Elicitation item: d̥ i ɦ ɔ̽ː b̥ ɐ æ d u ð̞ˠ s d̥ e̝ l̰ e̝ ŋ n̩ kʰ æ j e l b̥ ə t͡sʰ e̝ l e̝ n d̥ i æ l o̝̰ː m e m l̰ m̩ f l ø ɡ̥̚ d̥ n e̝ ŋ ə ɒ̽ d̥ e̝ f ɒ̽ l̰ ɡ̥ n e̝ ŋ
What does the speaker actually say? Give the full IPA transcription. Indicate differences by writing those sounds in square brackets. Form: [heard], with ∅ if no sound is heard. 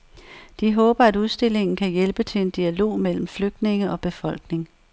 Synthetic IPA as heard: d̥ i ɦ ɔ̽ː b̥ ɐ æ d u ð̞ˠ s d̥ e̝ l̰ e̝ ŋ n̩ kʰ æ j e l b̥ ə t͡sʰ e̝ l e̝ n d̥ i æ l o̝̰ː m e [∅] l̰ m̩ f l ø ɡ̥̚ d̥ n e̝ ŋ ə ɒ̽ [b̥] e̝ f ɒ̽ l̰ ɡ̥ n e̝ ŋ